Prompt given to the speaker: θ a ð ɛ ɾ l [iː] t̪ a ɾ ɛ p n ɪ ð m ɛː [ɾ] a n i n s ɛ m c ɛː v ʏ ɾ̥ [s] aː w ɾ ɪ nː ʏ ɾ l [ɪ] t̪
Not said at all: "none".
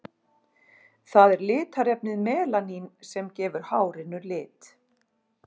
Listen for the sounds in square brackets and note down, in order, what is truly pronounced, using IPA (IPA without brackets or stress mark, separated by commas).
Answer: ɪː, l, h, ɪː